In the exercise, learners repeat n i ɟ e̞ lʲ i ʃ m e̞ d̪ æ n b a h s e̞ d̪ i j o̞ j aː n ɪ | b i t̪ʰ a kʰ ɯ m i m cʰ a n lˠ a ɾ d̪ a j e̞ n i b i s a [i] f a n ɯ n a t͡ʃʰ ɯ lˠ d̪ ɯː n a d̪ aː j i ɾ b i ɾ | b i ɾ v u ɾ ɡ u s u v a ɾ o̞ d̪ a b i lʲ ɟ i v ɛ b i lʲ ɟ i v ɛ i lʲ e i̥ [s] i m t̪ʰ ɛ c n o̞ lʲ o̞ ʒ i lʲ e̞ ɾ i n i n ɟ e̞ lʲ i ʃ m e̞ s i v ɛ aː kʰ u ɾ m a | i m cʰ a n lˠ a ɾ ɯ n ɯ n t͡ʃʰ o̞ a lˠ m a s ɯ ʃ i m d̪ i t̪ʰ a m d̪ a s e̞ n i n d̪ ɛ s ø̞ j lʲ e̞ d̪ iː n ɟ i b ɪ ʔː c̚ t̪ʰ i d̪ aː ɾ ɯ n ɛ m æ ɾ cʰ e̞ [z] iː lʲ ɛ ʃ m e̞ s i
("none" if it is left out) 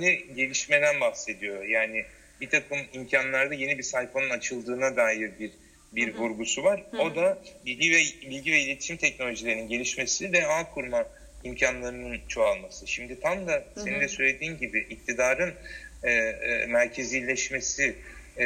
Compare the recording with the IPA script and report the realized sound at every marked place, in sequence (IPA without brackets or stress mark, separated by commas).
j, ʃ, z